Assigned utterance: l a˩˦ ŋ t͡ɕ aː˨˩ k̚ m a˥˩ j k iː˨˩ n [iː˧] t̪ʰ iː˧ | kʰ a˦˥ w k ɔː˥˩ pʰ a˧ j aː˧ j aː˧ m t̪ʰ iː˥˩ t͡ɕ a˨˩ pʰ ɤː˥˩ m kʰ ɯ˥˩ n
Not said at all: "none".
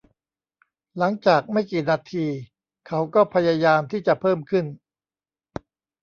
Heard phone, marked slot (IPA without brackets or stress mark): aː˧